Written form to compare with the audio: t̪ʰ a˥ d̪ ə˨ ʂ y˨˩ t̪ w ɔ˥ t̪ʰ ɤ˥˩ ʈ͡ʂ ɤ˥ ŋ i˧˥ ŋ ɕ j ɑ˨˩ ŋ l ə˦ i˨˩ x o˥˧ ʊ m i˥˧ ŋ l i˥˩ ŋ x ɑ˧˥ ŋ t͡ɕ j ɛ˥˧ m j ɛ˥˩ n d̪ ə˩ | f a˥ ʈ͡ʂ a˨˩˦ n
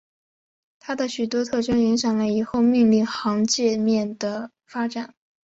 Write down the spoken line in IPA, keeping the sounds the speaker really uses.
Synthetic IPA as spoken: t̪ʰ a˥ d̪ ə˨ ɕ y˨˩ t̪ w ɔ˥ t̪ʰ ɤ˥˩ ʈ͡ʂ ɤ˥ ŋ i˧˥ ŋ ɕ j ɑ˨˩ ŋ l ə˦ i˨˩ x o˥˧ ʊ m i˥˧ ŋ l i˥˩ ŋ x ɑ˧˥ ŋ t͡ɕ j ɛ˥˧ m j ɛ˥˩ n d̪ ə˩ | f a˥ ʈ͡ʂ a˨˩˦ n